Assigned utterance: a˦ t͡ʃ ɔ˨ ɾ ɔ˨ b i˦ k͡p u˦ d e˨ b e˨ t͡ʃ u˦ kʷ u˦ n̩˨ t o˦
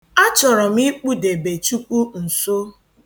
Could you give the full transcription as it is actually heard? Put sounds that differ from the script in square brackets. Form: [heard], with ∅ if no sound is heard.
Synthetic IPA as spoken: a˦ t͡ʃ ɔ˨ ɾ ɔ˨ [m] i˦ k͡p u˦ d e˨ b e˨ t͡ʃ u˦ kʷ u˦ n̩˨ [s] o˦